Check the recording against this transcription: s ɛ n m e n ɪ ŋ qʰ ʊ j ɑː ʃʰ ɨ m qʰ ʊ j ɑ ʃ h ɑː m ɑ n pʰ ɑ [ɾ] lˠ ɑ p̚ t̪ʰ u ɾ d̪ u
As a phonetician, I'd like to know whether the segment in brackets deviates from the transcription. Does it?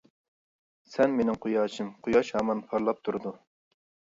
no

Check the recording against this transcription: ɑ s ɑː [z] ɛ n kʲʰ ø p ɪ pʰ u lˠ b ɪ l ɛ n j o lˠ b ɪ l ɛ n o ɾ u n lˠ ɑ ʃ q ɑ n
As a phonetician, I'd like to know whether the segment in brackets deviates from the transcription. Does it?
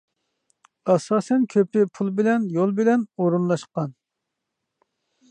yes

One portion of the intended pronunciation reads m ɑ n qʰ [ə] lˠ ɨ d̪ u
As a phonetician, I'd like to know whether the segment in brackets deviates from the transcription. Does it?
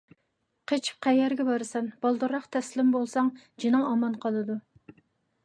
yes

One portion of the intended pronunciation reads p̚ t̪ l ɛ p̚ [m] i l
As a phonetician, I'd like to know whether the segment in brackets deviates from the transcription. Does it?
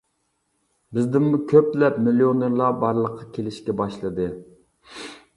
no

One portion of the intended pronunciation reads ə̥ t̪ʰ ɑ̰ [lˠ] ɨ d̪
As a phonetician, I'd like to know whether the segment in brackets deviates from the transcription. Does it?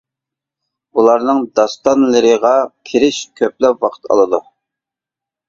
no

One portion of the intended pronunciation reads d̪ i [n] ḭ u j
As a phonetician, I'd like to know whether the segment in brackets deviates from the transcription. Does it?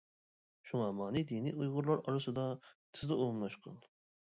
no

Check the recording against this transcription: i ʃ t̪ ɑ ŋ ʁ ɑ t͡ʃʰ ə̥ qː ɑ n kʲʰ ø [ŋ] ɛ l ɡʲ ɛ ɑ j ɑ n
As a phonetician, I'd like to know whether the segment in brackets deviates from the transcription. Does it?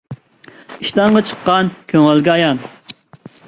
no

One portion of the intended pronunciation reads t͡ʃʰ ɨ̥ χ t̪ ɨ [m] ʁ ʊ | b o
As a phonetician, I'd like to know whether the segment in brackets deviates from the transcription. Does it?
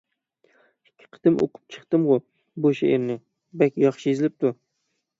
no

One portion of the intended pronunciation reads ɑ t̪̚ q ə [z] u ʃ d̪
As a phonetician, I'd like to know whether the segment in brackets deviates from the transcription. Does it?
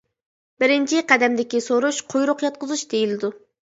no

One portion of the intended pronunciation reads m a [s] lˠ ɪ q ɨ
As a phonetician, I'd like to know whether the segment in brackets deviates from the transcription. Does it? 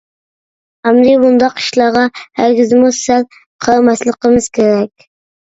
no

